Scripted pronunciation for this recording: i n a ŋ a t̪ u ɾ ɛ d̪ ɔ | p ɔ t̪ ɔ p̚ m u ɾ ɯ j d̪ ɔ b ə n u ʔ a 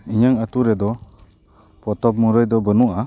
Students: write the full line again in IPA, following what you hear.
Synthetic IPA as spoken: i ɲ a ŋ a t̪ u ɾ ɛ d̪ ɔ | p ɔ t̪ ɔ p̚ m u ɾ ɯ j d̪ ɔ b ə n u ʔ a